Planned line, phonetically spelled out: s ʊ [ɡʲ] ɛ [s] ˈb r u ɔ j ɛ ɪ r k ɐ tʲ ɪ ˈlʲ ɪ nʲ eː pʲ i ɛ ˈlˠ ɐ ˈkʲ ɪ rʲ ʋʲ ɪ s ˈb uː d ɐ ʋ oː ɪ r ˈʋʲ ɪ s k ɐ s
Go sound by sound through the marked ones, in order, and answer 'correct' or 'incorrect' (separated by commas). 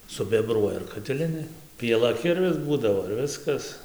incorrect, incorrect